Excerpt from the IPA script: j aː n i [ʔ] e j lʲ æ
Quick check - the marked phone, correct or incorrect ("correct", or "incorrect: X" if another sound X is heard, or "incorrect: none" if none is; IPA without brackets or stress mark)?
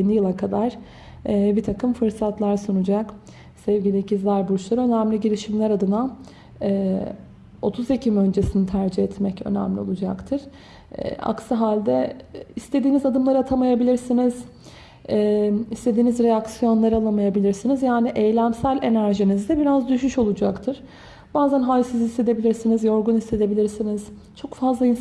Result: correct